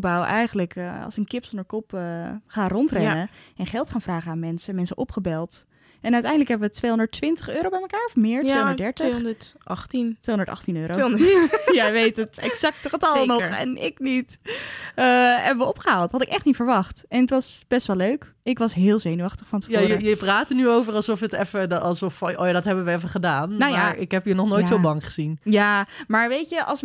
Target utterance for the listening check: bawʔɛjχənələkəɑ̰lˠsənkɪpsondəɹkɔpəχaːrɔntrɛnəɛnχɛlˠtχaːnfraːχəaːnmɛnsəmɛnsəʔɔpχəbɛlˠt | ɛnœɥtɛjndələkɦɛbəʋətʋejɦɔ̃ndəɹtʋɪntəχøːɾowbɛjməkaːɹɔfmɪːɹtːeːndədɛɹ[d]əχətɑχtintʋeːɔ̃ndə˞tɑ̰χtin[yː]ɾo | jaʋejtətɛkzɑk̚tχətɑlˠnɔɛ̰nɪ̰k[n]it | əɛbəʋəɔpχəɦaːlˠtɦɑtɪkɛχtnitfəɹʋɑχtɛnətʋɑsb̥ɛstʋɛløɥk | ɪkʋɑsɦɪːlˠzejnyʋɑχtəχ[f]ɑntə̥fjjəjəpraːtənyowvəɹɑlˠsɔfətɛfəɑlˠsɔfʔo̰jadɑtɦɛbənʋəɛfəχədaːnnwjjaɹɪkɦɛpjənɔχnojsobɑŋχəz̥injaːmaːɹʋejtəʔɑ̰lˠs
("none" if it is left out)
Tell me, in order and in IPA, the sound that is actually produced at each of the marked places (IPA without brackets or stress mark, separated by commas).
t, øː, n, f